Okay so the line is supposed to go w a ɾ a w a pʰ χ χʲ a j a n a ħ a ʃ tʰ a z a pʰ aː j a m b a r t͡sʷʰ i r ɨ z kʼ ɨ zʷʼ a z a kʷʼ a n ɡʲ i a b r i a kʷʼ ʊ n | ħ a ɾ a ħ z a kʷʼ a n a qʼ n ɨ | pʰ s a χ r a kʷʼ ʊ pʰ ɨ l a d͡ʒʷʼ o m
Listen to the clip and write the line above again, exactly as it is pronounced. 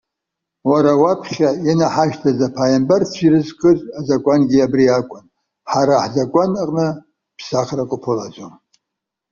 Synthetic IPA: w a ɾ a w a pʰ χ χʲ a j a n a ħ a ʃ tʰ a z a pʰ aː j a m b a r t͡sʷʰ i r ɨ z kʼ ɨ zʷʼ a z a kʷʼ a n ɡʲ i a b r i a kʷʼ ʊ n | ħ a ɾ a ħ z a kʷʼ a n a qʼ n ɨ | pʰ s a χ r a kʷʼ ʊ pʰ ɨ l a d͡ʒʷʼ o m